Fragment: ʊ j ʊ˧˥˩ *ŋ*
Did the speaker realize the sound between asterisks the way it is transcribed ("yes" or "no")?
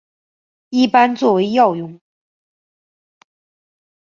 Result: yes